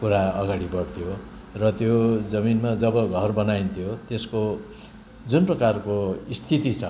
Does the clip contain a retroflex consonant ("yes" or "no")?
yes